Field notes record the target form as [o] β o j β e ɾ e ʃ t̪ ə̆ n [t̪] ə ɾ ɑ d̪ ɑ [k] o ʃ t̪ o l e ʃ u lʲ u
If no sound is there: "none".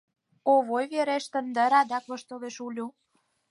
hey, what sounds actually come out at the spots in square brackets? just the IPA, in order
o, d̪, k

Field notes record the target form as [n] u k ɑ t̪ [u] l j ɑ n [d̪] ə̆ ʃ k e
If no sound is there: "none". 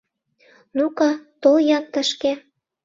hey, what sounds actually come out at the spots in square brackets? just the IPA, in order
n, o, t̪

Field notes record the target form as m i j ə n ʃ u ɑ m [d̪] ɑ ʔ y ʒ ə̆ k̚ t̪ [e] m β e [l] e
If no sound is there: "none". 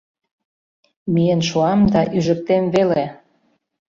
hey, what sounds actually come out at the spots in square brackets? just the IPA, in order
d̪, e, l

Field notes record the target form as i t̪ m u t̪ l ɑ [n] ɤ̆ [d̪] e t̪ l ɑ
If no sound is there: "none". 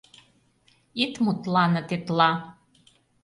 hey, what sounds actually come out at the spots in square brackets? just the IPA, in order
n, t̪

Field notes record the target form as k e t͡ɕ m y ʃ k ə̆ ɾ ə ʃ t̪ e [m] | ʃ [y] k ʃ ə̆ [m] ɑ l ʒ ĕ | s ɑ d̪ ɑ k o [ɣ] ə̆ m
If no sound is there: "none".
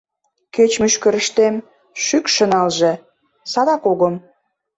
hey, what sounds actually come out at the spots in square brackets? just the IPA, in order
m, y, n, ɣ

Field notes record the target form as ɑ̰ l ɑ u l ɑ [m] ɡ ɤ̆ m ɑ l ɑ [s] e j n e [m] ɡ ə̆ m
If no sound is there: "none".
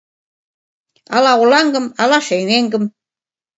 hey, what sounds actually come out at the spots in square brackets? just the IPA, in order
ŋ, ʃ, ŋ

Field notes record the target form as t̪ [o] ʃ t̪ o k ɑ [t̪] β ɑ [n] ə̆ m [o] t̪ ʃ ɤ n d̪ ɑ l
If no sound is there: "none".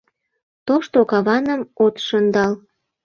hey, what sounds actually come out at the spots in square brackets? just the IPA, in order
o, none, n, o

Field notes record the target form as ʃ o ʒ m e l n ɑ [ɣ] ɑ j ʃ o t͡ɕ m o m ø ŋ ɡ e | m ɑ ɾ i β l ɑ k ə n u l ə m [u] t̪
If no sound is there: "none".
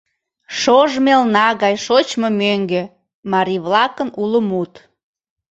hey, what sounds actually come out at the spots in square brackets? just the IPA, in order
ɣ, u

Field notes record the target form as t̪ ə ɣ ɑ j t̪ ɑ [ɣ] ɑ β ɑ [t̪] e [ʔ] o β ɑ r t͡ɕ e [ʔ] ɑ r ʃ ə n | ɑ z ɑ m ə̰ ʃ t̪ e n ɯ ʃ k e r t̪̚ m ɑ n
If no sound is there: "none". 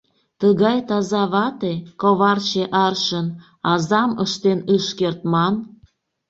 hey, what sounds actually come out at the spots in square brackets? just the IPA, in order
z, t̪, k, ʔ

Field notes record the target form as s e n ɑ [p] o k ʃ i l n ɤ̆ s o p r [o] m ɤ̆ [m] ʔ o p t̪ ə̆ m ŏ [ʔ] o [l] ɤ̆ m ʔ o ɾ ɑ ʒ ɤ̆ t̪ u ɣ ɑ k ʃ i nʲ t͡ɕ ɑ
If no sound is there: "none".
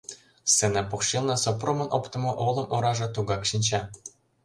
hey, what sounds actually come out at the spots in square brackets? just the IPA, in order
p, o, n, ʔ, l

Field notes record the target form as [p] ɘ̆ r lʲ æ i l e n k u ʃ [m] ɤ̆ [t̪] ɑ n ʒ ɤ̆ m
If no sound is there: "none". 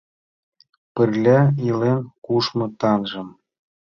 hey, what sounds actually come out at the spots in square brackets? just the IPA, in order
p, m, t̪

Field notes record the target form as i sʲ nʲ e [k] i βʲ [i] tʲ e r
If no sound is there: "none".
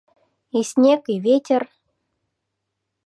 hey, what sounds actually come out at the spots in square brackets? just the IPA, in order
k, e

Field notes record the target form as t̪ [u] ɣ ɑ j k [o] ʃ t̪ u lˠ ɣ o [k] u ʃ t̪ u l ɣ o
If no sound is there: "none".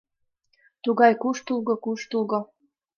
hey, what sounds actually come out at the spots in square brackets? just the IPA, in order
u, u, k

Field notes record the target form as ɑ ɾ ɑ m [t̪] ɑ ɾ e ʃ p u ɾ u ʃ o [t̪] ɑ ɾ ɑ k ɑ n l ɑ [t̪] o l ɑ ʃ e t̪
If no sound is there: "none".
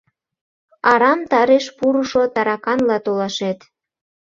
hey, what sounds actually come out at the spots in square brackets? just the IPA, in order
t̪, t̪, t̪

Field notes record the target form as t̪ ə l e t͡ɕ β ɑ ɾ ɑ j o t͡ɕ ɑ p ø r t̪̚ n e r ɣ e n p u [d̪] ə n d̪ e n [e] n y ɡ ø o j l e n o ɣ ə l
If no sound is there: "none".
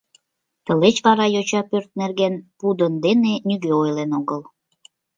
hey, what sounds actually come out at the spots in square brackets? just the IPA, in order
d̪, e

